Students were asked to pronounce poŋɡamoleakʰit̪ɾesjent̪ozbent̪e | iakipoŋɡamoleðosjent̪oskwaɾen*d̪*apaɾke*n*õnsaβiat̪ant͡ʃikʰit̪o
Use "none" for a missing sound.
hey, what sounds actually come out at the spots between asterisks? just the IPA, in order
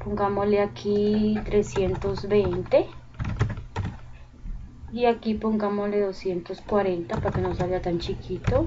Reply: t̪, n

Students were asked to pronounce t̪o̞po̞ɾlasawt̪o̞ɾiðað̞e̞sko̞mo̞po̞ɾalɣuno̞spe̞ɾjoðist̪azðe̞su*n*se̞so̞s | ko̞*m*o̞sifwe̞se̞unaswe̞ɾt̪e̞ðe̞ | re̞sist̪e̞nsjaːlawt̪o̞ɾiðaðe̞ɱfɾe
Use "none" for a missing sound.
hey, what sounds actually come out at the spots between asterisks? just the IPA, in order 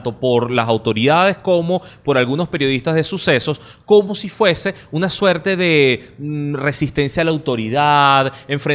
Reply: none, m

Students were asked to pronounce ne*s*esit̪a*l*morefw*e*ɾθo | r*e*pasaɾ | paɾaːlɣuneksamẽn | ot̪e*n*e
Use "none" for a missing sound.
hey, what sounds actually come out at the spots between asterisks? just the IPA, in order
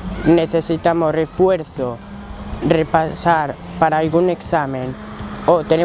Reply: θ, none, e, e, n

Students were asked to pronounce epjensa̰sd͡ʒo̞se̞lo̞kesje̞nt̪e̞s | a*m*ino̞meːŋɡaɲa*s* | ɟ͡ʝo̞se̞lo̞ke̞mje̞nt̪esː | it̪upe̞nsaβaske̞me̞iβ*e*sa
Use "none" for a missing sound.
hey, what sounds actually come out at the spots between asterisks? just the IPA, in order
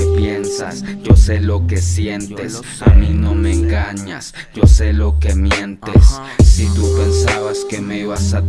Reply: m, s, a

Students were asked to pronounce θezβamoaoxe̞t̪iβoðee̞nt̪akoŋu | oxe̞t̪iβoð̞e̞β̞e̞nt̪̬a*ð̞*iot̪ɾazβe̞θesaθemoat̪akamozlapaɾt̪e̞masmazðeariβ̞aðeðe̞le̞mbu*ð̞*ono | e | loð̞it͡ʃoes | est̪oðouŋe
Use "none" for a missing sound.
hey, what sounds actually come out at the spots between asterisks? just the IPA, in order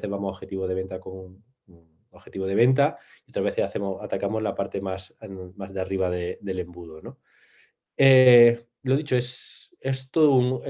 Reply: none, ð̞

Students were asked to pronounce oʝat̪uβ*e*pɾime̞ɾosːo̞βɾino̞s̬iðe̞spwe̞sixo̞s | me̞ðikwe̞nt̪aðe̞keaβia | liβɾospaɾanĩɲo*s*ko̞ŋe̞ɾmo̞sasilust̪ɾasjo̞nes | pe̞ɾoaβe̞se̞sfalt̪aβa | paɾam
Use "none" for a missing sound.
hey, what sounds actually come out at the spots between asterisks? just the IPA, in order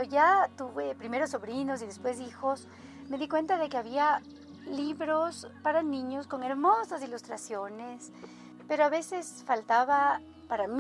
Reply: e, s

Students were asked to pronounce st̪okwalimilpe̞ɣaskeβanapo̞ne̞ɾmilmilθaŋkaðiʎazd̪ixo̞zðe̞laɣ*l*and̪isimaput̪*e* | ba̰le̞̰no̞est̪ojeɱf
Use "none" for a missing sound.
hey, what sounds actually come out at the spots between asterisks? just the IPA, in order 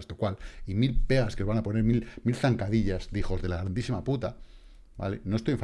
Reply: ɾ, a

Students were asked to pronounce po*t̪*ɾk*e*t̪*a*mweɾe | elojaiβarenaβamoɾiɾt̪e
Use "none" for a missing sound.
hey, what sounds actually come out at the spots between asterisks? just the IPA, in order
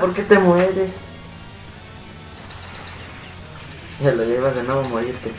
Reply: none, e, e

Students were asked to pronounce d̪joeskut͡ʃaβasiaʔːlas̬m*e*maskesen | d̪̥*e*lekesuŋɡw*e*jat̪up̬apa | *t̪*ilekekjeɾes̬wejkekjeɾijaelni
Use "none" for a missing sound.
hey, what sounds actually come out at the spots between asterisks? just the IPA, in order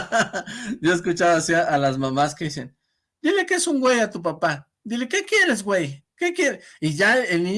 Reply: a, i, e, d̪

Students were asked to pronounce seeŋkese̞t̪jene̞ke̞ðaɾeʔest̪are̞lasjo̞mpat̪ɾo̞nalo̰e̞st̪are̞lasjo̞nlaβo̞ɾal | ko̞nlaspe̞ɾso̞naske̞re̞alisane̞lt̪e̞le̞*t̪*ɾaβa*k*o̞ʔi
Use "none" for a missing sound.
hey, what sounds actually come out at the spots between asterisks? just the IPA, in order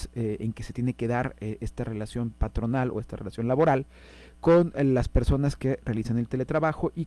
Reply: t̪, x

